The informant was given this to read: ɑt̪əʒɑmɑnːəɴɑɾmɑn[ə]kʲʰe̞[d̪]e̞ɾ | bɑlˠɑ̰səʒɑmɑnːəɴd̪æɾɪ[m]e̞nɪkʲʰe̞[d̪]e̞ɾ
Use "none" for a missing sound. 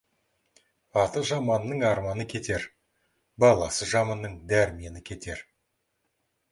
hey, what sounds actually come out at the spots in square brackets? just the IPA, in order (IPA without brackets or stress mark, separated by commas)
ə, t̪, m, t̪